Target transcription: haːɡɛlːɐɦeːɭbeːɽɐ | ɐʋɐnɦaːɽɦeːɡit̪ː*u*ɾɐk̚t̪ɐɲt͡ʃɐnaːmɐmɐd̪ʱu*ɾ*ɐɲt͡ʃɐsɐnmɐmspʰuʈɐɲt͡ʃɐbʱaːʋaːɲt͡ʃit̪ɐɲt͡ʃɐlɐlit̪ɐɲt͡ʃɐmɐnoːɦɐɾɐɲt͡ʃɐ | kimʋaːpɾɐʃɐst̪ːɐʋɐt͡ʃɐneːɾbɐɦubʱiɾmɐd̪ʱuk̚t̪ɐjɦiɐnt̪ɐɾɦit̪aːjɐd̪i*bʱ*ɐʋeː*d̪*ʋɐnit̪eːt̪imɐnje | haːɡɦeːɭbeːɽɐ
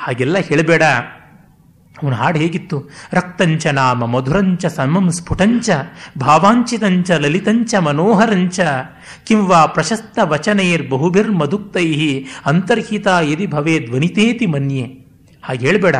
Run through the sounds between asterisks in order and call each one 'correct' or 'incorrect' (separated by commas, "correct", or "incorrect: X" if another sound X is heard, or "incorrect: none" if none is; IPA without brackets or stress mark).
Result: correct, correct, correct, correct